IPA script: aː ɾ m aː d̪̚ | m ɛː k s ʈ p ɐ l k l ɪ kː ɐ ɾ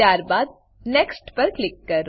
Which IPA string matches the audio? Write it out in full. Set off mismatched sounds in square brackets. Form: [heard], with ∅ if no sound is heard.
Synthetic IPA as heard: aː ɾ [b] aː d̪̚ | [n] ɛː k s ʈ p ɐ [ɾ] k l ɪ kː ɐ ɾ